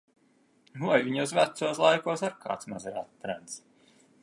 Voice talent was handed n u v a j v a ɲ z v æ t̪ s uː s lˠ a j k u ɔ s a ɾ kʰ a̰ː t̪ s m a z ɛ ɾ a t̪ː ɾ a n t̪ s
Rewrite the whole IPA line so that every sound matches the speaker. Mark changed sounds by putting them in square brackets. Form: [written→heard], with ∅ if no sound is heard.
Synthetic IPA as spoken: n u v a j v [a→i] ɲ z v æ t̪ s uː s lˠ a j k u ɔ s a ɾ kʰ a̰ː t̪ s m a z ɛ ɾ a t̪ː ɾ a n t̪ s